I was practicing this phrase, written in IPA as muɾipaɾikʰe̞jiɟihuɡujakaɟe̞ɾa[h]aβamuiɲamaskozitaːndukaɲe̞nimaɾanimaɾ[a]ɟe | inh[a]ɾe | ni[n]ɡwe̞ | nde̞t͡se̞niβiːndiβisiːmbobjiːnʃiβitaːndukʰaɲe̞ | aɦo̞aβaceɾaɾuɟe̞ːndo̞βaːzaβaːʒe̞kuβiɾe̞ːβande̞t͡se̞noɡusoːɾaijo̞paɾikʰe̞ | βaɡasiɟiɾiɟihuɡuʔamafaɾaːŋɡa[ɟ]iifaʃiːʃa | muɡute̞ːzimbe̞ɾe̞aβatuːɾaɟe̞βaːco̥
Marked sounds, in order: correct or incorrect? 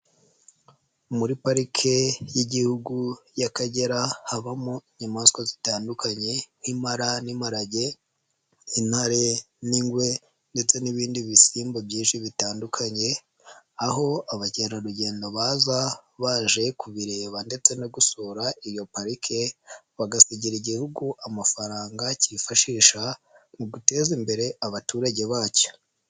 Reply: correct, correct, correct, incorrect: ŋ, incorrect: c

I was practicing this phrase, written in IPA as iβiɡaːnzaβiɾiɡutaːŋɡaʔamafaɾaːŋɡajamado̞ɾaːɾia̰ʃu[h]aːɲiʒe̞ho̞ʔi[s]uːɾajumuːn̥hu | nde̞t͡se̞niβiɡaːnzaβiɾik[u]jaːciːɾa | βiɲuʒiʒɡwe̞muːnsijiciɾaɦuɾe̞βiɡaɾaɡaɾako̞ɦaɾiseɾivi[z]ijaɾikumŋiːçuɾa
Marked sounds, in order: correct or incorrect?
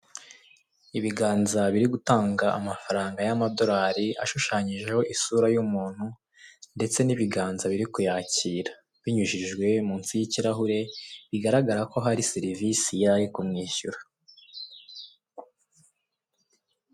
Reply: incorrect: ʃ, correct, correct, incorrect: s

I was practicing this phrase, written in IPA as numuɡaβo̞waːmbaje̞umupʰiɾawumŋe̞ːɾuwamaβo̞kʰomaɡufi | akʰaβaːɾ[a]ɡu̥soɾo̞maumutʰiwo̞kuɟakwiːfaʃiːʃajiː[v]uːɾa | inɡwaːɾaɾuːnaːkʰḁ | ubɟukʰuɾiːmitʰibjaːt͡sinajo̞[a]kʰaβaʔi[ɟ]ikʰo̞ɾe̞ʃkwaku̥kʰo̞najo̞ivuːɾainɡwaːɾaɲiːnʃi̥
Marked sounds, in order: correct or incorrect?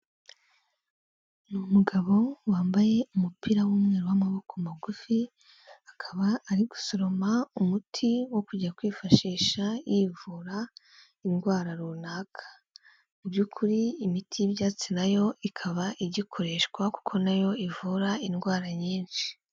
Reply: incorrect: i, correct, incorrect: i, correct

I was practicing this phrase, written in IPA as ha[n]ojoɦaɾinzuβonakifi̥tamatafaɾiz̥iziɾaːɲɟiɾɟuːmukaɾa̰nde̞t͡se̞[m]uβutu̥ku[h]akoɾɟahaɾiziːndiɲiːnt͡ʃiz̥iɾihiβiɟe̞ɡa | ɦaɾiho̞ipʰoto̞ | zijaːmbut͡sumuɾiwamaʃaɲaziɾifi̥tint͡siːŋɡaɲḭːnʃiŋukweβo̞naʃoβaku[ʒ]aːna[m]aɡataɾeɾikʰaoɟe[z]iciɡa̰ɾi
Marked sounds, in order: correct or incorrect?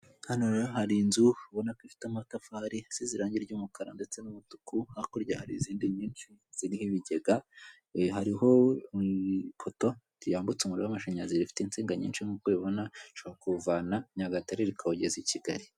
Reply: correct, incorrect: n, correct, incorrect: v, incorrect: ɲ, correct

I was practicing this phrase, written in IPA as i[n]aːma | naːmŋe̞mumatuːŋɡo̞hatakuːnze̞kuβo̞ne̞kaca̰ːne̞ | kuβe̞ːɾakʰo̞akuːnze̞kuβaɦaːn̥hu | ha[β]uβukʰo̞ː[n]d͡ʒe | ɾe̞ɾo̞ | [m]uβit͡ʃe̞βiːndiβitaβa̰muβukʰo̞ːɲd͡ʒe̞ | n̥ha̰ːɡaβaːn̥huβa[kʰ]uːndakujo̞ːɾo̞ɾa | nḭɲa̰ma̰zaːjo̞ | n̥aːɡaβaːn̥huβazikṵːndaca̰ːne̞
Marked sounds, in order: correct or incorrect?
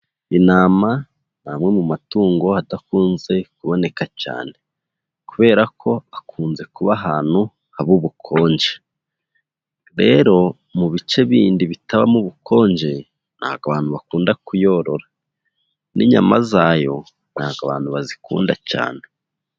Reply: correct, correct, incorrect: ɲ, correct, incorrect: k

